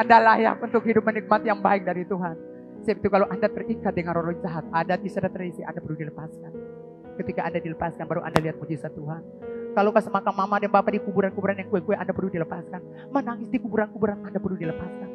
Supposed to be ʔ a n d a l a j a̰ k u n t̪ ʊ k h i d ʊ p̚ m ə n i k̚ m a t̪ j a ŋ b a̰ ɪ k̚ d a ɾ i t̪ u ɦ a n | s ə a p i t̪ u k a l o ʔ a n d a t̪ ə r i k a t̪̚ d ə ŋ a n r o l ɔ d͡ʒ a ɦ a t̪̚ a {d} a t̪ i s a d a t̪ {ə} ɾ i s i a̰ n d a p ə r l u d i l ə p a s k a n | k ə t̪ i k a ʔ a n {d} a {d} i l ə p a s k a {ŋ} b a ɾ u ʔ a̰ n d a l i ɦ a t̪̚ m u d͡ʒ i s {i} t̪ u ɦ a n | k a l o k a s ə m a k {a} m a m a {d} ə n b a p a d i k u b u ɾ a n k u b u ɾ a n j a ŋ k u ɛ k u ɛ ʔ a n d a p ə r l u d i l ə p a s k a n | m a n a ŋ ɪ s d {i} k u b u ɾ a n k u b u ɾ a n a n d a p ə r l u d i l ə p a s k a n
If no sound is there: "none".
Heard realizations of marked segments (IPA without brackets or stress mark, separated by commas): d, ə, d, d, n, a, a, d, i